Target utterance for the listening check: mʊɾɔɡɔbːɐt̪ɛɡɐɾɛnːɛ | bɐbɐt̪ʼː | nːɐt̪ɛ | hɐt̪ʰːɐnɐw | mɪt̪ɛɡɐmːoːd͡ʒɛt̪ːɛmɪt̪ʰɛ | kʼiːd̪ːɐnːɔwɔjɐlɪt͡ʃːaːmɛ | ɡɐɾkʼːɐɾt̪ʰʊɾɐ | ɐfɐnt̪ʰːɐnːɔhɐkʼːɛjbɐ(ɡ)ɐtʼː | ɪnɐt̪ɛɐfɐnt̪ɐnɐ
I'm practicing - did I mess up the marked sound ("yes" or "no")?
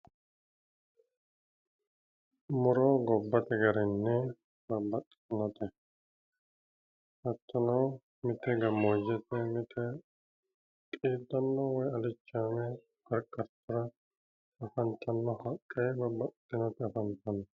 yes